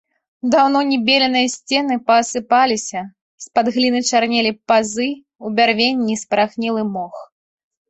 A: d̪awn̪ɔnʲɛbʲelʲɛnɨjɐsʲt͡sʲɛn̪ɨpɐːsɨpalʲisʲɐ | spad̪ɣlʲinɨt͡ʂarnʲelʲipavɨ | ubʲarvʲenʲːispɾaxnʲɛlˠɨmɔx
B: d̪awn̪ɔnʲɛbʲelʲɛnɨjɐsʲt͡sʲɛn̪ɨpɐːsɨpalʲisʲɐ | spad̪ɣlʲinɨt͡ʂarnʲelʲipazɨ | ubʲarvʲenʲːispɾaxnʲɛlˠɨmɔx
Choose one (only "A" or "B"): B